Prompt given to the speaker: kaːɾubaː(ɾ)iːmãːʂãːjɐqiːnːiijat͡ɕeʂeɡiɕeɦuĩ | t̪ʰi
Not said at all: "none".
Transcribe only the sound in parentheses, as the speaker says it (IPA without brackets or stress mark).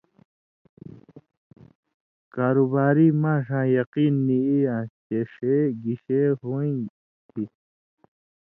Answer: ɾ